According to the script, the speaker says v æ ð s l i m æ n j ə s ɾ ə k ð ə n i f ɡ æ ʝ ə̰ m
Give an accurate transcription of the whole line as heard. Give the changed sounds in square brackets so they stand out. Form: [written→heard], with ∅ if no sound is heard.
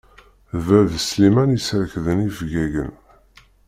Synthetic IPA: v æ ð s l i m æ n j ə s ɾ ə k ð ə n i f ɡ æ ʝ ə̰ [m→n]